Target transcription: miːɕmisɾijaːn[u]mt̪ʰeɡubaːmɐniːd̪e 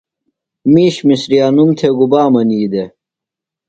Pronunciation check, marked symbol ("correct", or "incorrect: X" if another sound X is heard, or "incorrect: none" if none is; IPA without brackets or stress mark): correct